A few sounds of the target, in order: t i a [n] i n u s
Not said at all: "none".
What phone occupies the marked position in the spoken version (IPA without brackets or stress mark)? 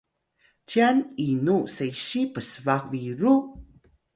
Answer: n